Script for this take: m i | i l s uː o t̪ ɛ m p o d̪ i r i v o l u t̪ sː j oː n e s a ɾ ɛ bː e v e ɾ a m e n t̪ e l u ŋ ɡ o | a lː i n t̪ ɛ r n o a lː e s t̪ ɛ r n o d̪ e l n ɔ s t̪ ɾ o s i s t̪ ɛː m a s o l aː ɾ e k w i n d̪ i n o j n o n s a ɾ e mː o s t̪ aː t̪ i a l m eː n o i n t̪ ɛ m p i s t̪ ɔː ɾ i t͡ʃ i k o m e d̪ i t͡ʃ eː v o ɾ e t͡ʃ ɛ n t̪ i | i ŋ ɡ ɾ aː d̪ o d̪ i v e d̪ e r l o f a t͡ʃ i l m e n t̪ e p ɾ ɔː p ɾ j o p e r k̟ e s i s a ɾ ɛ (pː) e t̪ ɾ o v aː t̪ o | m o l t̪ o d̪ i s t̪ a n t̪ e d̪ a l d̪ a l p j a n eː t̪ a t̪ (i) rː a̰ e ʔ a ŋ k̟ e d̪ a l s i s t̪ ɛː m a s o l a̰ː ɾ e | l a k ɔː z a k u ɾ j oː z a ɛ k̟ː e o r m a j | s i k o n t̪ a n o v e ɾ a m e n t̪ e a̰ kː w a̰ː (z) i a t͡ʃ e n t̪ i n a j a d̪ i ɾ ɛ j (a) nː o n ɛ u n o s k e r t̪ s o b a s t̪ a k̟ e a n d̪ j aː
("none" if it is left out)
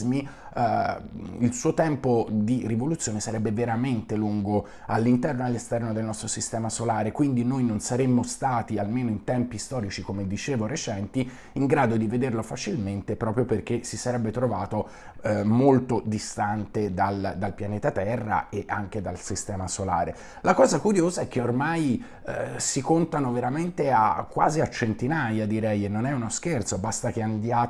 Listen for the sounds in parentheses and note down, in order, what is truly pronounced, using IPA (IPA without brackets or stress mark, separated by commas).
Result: bː, ɛ, z, e